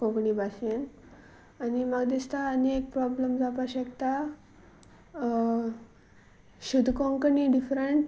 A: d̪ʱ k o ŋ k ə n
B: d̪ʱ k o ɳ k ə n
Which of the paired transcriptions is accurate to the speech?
A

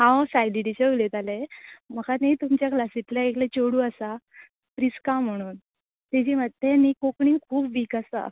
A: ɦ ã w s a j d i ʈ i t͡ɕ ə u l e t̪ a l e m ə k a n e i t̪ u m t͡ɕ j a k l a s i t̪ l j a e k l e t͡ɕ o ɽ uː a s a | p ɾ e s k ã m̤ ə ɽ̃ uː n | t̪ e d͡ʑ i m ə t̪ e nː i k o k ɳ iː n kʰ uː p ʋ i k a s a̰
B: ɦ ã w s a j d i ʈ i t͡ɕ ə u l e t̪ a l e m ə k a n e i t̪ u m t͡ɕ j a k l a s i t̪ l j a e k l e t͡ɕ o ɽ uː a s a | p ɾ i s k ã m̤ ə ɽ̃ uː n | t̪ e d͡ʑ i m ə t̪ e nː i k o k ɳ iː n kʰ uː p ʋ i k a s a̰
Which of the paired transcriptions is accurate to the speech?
B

